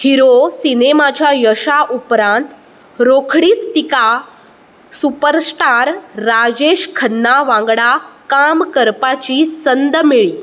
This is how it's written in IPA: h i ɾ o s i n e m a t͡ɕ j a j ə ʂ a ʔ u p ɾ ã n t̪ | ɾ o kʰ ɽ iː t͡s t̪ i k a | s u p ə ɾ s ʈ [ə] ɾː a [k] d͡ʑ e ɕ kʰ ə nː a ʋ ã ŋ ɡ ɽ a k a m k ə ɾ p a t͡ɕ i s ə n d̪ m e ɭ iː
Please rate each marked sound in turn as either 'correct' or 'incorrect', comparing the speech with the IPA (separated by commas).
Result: incorrect, incorrect